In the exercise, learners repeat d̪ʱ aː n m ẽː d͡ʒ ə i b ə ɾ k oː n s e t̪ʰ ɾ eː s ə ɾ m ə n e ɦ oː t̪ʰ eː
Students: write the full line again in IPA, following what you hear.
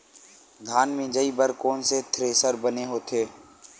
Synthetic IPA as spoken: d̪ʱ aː n m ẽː d͡ʒ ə i b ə ɾ k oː n s e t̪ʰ ɾ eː s ə ɾ b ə n e ɦ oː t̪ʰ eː